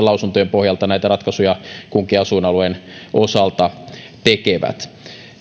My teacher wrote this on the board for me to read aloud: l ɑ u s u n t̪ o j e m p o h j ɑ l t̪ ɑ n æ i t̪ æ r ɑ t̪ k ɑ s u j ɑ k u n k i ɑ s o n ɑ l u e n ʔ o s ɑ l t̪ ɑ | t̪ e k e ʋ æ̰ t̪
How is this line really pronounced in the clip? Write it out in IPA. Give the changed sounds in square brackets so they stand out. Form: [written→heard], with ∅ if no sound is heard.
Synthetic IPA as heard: l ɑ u s u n t̪ o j e m p o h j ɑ l t̪ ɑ n æ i t̪ æ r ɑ t̪ k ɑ s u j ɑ k u [n→ŋ] k i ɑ s [o→u] n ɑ l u e n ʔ o s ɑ l t̪ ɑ | t̪ e k e ʋ æ̰ t̪